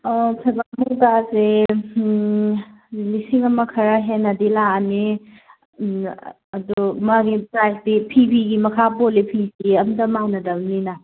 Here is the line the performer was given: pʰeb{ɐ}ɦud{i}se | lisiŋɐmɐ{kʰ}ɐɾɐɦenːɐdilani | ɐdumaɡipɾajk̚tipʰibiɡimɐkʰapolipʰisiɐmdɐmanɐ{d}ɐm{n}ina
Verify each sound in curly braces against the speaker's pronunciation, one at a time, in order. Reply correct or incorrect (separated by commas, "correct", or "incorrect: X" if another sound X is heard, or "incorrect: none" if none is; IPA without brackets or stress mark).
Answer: incorrect: a, incorrect: a, correct, correct, correct